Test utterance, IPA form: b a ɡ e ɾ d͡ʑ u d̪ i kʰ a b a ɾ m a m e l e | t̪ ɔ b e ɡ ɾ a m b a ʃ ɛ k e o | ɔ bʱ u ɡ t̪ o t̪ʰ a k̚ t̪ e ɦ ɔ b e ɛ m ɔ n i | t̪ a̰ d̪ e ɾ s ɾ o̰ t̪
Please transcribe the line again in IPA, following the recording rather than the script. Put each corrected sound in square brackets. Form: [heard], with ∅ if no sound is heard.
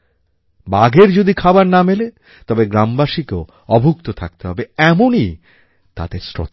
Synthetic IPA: b a ɡ e ɾ d͡ʑ [o] d̪ i kʰ a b a ɾ [n] a m e l e | t̪ ɔ b e ɡ ɾ a m b a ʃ [i] k e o | ɔ bʱ u [k] t̪ o t̪ʰ a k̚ t̪ e ɦ ɔ b e ɛ m [o] n i | t̪ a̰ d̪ e ɾ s ɾ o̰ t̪